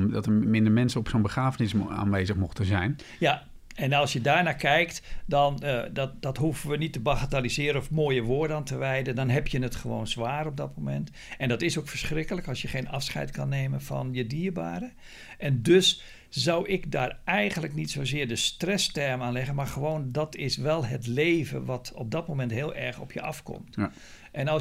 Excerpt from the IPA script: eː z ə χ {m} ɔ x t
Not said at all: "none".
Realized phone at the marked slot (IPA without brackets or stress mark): m